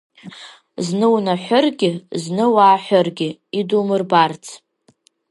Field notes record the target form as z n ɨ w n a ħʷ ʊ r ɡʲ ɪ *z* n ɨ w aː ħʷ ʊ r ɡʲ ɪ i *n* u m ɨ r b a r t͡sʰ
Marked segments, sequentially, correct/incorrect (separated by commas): correct, incorrect